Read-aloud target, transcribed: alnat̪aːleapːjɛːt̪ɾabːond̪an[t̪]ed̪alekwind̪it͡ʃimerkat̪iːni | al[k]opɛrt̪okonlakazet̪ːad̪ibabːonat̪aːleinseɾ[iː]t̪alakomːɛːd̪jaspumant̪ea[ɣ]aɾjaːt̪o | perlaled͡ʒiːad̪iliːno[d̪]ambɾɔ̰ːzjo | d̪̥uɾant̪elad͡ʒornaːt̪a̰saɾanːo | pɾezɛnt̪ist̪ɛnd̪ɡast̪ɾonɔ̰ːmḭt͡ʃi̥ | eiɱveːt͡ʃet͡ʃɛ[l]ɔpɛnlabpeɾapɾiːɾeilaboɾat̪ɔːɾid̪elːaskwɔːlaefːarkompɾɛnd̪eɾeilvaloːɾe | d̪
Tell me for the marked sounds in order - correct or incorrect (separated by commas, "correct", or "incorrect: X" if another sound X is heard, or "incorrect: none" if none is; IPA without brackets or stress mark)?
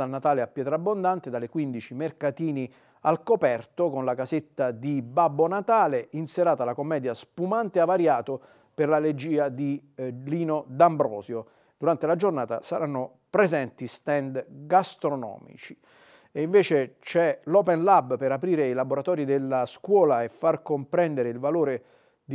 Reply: correct, correct, incorrect: aː, incorrect: v, correct, correct